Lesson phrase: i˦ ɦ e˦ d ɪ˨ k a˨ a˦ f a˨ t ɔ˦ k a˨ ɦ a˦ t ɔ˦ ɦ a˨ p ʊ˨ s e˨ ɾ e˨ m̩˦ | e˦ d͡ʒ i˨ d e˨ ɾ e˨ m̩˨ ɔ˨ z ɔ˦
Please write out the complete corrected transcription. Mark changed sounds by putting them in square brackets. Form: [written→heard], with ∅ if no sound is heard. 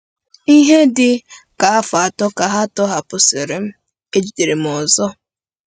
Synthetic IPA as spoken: i˦ ɦ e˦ d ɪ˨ k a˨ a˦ f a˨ t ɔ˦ k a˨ ɦ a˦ t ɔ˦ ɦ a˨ p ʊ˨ s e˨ ɾ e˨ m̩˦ | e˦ d͡ʒ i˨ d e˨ ɾ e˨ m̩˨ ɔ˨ z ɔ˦